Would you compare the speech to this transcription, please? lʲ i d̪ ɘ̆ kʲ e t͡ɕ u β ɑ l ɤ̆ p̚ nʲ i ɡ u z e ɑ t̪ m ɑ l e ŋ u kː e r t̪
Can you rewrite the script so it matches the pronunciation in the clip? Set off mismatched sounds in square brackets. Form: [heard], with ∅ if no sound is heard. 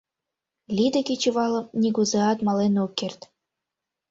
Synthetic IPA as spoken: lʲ i d̪ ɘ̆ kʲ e t͡ɕ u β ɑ l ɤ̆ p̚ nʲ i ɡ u z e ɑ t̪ m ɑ l e [n] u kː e r t̪